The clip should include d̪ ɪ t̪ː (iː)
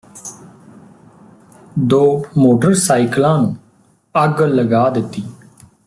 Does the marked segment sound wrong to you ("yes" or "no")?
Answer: no